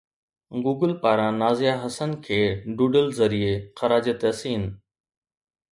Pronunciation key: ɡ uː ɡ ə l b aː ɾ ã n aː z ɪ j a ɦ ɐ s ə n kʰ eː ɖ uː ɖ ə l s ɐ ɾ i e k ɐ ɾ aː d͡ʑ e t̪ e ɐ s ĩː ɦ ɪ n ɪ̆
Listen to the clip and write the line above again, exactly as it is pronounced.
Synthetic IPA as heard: ɡ uː ɡ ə l p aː ɾ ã n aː z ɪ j a ɦ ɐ s ə n kʰ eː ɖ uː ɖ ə l z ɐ ɾ i e x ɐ ɾ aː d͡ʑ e t̪ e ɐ s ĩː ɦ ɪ n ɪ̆